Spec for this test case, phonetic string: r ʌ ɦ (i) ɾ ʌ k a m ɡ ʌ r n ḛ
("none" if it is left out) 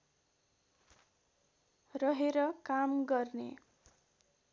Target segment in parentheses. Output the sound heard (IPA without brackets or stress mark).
e